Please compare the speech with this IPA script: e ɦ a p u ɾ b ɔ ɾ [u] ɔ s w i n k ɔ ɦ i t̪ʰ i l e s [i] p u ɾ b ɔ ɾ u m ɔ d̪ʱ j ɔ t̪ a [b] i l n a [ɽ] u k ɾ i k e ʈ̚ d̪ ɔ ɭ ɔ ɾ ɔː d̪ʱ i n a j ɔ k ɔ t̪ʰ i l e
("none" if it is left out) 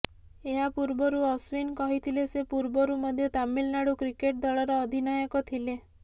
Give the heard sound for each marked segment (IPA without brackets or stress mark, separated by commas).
u, e, m, ɽ